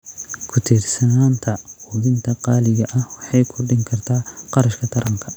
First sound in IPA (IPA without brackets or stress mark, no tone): kʰ